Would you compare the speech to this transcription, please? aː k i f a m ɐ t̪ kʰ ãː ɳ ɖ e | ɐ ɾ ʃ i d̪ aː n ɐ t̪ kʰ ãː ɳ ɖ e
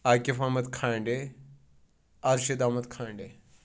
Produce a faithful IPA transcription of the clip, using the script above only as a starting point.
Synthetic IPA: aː k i f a m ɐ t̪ kʰ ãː ɳ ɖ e | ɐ ɾ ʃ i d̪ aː m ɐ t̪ kʰ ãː ɳ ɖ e